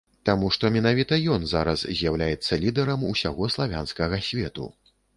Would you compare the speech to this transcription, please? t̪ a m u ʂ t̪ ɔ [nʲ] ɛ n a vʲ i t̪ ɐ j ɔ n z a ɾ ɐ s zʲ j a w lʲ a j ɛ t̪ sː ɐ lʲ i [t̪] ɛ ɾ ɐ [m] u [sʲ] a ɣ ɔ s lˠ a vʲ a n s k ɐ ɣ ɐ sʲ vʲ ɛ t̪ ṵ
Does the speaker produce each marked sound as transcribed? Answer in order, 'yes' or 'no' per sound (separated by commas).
no, no, yes, yes